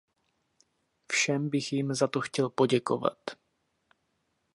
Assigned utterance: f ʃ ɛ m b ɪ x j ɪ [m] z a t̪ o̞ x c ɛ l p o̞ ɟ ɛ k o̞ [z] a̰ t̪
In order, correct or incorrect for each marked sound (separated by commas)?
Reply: correct, incorrect